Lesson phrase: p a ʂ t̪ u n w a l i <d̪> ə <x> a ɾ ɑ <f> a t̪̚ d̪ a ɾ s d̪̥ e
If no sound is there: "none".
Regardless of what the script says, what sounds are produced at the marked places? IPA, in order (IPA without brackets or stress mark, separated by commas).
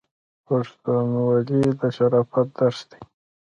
d̪, ʃ, f